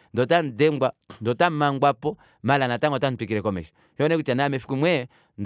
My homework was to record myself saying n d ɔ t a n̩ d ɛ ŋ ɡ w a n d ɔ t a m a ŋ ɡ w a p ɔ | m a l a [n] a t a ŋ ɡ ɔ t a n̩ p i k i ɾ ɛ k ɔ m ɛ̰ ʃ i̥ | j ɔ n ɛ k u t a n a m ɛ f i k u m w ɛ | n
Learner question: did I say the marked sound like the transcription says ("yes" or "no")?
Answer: yes